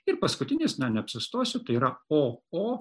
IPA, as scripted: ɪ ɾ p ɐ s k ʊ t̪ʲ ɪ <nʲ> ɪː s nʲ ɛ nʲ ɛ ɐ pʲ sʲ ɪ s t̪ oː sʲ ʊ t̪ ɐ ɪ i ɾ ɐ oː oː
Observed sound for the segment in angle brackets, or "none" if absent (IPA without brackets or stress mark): nʲ